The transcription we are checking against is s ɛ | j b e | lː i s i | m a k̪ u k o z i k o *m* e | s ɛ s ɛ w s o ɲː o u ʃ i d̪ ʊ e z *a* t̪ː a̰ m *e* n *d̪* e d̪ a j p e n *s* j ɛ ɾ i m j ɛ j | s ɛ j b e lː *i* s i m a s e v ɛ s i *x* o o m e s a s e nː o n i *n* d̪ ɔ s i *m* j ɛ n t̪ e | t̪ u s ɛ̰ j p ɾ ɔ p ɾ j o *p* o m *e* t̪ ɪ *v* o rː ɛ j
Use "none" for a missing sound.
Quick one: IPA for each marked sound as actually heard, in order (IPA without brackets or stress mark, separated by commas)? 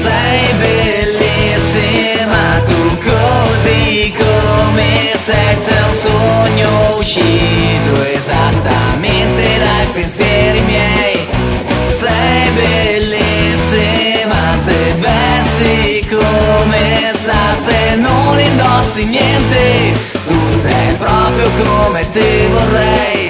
m, a, e, t̪, s, i, k, n, n, k, e, v